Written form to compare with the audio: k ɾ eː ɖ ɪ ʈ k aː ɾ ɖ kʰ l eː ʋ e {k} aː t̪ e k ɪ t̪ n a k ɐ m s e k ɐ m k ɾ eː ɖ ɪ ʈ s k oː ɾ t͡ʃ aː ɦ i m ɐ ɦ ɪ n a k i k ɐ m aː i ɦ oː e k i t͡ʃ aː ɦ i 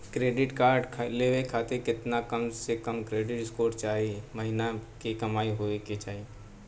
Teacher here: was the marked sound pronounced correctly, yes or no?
no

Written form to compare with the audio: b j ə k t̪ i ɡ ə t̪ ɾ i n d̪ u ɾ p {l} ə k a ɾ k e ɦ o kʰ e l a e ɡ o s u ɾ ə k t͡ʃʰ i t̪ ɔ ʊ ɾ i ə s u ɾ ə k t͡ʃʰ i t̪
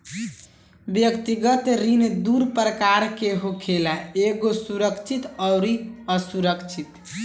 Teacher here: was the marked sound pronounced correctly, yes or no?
no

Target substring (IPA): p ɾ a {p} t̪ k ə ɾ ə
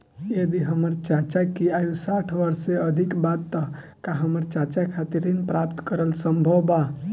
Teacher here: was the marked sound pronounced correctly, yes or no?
yes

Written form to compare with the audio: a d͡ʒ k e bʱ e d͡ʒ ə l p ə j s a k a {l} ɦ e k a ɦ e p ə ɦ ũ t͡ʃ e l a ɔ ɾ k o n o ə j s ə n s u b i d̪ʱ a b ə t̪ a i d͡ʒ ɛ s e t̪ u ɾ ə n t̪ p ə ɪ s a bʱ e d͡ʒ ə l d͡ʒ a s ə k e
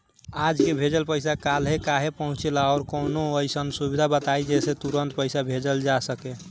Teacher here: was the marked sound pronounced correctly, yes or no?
yes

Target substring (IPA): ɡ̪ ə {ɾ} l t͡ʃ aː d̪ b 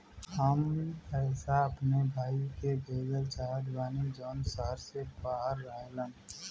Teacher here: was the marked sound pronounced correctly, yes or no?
no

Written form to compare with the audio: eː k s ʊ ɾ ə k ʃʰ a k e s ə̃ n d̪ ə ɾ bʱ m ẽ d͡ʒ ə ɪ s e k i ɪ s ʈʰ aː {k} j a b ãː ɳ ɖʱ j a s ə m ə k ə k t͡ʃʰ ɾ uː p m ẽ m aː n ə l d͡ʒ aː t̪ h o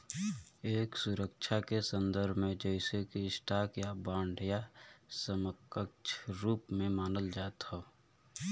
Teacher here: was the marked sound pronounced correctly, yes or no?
yes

